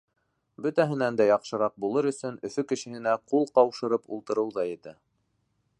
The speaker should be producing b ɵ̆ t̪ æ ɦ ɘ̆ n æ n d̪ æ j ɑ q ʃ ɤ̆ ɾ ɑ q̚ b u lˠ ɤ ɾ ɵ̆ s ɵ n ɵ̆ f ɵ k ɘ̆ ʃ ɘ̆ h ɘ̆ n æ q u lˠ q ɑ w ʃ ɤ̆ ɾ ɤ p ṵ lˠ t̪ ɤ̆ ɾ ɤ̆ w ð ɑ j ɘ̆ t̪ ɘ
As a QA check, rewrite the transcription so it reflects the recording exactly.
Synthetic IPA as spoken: b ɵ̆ t̪ æ ɦ ɘ̆ n æ n d̪ æ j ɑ q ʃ ɤ̆ ɾ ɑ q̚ b u lˠ ɤ ɾ ɵ̆ s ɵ n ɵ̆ f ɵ k ɘ̆ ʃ ɘ̆ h ɘ̆ n æ q u lˠ q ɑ w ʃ ɤ̆ ɾ ɤ p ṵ lˠ t̪ ɤ̆ ɾ ɤ̆ w ð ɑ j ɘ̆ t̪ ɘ